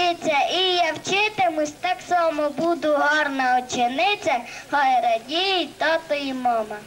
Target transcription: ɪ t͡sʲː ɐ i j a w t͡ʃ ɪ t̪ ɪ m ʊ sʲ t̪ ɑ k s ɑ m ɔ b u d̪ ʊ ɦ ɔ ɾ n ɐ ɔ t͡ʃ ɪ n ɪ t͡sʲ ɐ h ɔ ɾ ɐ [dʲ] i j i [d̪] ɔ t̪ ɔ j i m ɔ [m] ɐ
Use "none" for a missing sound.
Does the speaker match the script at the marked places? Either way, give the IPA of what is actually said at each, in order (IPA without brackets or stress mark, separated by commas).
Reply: dʲ, t̪, m